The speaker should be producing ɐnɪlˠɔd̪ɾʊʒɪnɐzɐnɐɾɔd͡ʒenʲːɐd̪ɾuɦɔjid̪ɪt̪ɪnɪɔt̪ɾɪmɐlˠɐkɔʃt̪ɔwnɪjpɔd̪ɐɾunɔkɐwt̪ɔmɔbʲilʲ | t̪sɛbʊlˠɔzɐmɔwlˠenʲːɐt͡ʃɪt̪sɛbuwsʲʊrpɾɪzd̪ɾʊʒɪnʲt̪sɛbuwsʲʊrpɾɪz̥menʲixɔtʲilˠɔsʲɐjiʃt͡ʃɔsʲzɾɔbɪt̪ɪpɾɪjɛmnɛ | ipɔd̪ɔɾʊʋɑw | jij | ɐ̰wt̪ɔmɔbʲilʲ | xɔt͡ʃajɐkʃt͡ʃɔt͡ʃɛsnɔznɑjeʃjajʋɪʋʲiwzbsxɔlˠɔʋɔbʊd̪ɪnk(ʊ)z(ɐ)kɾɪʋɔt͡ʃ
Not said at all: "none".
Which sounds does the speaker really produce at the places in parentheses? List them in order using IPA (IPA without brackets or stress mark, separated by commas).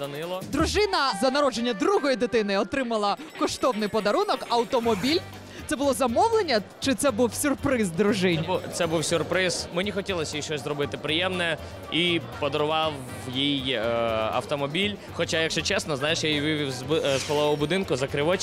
ʊ, ɐ